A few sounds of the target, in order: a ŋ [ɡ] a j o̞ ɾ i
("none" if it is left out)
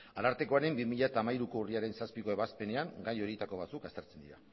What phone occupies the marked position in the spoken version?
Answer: ɡ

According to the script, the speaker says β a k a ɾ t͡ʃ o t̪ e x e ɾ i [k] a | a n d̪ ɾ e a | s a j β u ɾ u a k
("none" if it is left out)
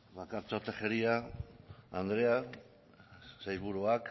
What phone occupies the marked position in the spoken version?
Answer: none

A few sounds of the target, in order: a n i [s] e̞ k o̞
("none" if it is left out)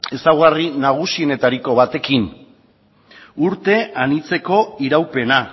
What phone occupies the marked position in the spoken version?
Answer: t͡s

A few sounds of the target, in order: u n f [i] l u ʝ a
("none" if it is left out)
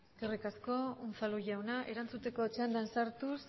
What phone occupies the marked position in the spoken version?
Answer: a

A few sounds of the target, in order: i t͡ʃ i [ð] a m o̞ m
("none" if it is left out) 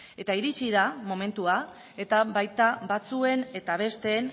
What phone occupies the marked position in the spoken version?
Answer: ð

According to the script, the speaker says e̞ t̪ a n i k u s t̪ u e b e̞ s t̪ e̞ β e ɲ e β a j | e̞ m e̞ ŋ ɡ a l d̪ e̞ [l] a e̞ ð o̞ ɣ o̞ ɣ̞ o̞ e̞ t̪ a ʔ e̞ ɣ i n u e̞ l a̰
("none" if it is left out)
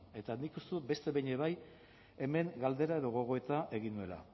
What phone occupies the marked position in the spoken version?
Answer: ɾ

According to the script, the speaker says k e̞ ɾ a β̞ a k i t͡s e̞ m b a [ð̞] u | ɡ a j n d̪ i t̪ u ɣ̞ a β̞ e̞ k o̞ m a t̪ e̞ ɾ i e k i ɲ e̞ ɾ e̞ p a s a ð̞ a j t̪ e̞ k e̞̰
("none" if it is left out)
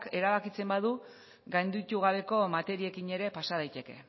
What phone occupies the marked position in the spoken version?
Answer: ð̞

